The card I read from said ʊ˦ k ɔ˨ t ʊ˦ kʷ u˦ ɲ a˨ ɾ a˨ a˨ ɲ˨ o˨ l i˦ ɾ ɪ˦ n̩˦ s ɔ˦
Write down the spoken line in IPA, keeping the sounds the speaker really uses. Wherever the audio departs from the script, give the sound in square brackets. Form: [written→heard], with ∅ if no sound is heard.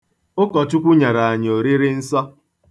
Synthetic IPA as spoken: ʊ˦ k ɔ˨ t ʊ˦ kʷ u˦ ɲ a˨ ɾ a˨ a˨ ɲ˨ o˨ [l→ɾ] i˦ ɾ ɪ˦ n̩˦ s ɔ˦